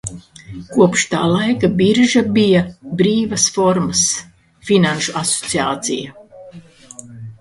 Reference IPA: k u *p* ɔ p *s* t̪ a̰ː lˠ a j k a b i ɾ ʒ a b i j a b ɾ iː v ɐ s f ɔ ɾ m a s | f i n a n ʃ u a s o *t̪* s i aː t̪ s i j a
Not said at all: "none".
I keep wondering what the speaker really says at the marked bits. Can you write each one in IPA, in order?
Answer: none, ʃ, t̪

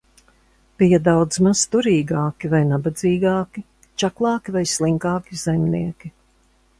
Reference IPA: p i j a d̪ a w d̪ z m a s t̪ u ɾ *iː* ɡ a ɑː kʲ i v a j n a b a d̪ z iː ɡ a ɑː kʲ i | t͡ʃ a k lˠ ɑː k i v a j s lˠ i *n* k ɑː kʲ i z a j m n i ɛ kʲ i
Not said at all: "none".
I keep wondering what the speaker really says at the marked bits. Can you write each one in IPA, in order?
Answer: iː, ŋ

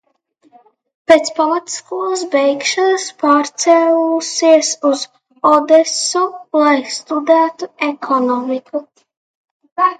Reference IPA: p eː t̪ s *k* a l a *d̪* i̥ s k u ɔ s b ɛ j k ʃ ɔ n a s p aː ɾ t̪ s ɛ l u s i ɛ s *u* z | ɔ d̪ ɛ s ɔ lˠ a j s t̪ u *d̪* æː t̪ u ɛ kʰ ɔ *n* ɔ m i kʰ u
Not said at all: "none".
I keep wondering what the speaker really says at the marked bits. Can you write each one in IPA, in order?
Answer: p, t̪, u, d̪, n

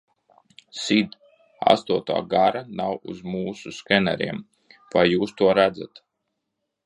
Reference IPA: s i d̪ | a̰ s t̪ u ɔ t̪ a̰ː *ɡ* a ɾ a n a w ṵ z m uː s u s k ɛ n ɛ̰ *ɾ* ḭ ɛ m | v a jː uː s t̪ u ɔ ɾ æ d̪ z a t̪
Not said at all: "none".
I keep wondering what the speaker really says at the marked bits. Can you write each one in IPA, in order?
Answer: ɡ, ɾ

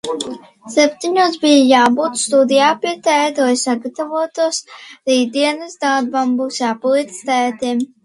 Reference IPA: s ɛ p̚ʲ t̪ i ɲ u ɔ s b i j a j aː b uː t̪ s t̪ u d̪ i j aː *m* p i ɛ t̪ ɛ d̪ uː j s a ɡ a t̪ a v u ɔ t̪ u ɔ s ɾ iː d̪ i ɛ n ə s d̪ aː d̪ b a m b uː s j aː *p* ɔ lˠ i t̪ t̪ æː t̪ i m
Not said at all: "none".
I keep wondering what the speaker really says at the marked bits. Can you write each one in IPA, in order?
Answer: none, p

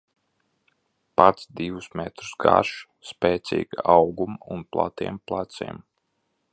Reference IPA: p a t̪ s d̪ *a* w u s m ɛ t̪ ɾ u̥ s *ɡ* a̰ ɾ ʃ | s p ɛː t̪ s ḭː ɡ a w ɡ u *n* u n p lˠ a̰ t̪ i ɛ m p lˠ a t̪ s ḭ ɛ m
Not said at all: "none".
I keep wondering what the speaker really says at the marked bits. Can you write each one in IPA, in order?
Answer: i, ɡ, m

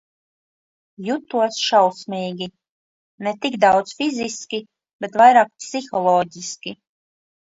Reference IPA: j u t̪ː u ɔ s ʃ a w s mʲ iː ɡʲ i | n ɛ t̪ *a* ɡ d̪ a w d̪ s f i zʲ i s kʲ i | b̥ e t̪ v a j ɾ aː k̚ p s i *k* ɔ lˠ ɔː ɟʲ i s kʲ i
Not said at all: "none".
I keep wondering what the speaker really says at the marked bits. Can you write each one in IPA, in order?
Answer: i, x

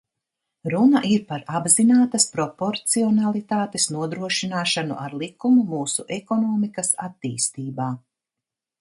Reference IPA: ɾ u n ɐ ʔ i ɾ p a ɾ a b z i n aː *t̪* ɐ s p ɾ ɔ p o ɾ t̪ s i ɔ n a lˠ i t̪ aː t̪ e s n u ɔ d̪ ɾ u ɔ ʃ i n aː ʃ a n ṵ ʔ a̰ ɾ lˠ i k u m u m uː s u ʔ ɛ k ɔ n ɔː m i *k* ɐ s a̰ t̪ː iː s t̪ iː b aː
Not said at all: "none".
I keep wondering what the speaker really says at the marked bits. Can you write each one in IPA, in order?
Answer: t̪, k

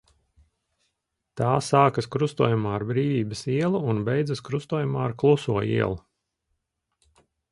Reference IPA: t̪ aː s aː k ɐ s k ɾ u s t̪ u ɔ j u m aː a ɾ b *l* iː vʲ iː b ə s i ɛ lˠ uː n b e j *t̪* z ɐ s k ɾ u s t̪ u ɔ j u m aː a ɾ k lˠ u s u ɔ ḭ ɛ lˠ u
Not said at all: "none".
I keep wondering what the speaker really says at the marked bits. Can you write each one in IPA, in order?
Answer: ɾ, d̪

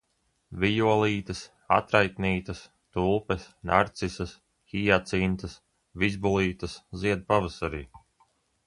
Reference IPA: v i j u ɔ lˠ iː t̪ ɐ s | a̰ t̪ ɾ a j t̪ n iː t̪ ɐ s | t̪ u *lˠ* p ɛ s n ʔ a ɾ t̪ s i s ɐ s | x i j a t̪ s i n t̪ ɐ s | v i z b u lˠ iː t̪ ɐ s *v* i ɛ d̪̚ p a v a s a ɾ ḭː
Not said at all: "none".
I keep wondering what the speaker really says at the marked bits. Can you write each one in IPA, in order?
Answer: lˠ, z

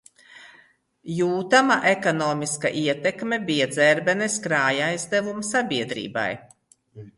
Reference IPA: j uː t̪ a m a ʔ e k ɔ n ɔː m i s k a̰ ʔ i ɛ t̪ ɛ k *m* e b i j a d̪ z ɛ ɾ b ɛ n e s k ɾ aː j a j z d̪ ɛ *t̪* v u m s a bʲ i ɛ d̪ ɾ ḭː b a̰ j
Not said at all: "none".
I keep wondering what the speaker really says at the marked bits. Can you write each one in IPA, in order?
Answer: m, none

